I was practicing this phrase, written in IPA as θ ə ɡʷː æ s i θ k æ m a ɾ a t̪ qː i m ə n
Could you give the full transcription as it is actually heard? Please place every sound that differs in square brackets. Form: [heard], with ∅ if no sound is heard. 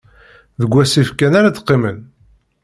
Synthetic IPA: [ð] ə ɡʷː æ s i [f] k æ [n] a ɾ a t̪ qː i m ə n